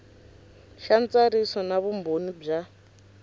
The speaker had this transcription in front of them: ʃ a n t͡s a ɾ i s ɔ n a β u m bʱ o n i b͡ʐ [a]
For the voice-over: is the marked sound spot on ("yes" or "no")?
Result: yes